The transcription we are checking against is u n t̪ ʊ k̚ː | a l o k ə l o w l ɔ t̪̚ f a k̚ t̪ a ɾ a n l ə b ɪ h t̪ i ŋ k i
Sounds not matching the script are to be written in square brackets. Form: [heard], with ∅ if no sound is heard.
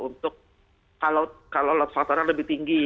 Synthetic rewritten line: u n t̪ ʊ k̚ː | a l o k [a] l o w l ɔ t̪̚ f a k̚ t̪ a ɾ a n l ə b ɪ h t̪ i ŋ [ɡ] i